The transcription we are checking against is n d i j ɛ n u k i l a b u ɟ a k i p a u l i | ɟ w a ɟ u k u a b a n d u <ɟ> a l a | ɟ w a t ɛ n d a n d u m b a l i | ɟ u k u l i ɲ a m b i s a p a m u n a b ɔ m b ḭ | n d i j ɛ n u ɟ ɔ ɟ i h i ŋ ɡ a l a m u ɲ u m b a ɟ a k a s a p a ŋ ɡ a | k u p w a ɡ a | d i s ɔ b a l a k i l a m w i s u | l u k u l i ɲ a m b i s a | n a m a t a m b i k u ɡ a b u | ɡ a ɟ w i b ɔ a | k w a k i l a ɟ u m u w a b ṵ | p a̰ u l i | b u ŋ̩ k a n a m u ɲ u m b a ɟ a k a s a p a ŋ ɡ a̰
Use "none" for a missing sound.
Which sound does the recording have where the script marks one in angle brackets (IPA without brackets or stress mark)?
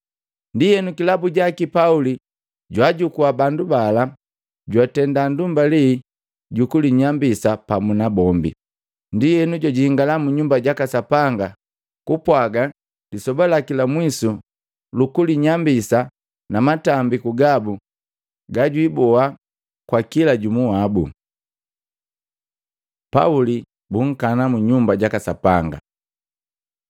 b